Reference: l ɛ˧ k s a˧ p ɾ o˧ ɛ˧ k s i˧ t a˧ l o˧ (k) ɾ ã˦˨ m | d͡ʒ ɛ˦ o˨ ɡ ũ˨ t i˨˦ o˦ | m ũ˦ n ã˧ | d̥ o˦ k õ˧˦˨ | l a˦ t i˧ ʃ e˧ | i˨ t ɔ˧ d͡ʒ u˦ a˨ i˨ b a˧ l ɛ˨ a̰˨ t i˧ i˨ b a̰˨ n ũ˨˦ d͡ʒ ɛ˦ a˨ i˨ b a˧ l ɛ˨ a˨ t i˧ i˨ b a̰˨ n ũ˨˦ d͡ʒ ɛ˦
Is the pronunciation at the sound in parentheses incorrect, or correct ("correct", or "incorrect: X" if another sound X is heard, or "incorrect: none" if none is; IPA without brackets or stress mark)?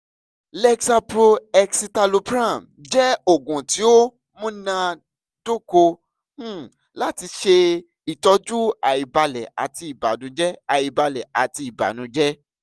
incorrect: p